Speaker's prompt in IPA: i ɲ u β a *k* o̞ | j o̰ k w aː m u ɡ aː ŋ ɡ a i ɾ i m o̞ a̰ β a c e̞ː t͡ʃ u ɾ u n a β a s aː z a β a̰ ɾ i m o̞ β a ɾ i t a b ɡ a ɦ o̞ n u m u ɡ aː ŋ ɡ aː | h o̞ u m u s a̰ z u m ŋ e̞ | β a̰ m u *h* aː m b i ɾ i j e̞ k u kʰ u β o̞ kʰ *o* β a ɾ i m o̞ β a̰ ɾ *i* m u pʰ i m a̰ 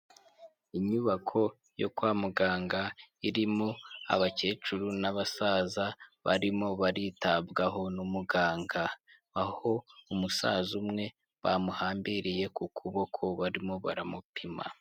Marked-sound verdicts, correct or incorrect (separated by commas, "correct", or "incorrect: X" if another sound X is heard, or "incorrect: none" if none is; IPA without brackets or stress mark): incorrect: kʰ, correct, correct, incorrect: a